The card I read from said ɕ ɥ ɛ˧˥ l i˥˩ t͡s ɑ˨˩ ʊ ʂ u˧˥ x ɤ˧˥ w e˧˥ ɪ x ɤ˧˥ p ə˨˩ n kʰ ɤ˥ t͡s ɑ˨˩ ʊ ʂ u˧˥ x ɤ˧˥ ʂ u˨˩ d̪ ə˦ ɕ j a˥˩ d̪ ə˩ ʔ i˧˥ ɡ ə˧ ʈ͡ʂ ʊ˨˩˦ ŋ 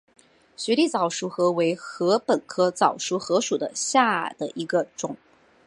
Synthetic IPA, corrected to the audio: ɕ ɥ ɛ˧˥ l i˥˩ t͡s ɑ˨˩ ʊ ʂ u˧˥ x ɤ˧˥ w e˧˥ ɪ x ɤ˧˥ p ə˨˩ n kʰ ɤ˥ t͡s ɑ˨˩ ʊ ʂ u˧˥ x ɤ˧˥ ʂ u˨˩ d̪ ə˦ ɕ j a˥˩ d̪ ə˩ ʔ i˧˥ ɡ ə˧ ʈ͡ʂ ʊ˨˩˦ ŋ